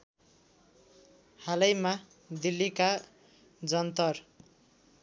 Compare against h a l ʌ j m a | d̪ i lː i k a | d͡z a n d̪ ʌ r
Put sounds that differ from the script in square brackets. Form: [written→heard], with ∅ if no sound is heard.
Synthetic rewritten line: h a l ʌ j m a | d̪ i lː i k a | d͡z [a→ʌ] n [d̪→t̪] ʌ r